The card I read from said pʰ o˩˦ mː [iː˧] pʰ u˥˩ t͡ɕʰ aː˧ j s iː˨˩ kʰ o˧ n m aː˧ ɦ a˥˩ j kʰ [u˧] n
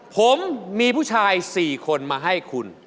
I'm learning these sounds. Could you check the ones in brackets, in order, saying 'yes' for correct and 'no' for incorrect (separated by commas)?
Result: yes, yes